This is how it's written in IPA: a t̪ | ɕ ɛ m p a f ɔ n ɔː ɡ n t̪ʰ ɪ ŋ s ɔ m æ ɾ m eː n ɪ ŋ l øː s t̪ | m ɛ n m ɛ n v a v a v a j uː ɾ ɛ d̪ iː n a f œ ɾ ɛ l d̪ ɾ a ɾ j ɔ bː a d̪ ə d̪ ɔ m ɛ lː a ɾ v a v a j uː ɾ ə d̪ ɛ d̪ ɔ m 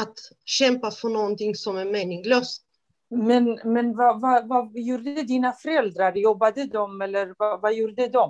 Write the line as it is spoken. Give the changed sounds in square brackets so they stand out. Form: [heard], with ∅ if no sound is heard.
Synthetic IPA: a t̪ | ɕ ɛ m p a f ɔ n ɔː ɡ n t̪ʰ ɪ ŋ s ɔ m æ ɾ m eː n ɪ ŋ l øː s t̪ | m ɛ n m ɛ n v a v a v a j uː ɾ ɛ d̪ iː n a f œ ɾ ɛ l d̪ ɾ a ɾ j ɔ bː a d̪ ə d̪ ɔ m ɛ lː [ə] ɾ v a v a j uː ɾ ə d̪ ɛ d̪ ɔ m